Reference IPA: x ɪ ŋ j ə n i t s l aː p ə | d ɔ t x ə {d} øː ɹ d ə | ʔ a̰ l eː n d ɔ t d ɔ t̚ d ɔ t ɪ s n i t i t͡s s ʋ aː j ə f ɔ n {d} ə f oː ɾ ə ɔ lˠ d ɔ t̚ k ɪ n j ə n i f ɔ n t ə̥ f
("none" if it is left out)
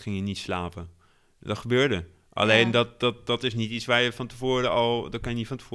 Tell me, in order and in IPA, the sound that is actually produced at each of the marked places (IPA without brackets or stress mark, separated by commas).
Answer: b, t